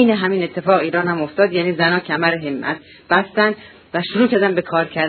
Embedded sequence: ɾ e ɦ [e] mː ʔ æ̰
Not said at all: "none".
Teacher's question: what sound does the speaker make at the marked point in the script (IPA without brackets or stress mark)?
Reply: e